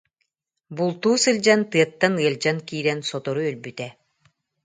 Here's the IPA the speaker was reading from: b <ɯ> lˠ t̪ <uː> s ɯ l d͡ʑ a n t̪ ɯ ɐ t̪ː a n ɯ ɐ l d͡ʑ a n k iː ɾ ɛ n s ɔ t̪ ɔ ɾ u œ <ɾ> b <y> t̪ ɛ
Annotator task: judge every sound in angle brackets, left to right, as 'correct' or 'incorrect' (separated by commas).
incorrect, correct, incorrect, correct